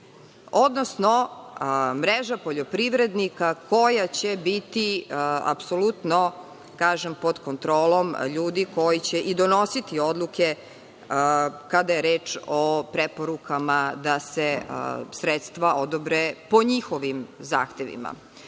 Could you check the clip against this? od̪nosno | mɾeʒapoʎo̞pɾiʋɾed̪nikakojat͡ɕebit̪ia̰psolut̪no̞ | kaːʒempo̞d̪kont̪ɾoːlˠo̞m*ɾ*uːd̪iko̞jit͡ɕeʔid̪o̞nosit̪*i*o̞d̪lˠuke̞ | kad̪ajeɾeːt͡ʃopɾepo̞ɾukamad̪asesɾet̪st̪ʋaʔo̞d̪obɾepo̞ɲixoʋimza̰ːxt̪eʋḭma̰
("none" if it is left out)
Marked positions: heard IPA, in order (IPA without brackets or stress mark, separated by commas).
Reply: ʎ, i